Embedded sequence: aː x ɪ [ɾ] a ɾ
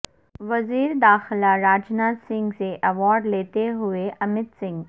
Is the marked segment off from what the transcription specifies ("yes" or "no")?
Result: yes